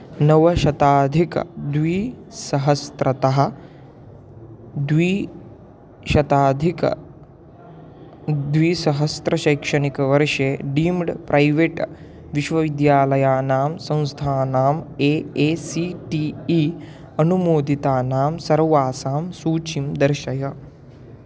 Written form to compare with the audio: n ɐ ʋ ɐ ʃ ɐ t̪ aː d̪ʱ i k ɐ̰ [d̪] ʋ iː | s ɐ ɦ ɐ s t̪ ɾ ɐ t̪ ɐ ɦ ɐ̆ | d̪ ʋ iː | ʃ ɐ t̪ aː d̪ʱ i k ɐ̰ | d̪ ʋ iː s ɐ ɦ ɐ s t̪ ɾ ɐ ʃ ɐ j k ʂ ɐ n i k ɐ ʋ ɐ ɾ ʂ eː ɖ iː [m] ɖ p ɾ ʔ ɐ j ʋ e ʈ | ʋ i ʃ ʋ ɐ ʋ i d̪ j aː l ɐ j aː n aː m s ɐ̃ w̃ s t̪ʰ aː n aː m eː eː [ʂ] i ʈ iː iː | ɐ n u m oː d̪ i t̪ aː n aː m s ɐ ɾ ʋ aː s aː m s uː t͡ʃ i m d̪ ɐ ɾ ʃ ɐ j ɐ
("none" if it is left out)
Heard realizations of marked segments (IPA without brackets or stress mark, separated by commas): d̪, m, s